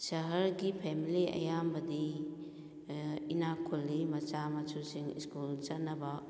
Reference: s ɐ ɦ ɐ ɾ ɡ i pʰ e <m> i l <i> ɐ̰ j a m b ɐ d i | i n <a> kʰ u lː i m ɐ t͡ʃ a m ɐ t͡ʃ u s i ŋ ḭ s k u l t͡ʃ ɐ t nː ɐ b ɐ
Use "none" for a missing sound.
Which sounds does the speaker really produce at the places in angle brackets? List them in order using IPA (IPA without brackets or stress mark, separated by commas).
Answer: m, i, a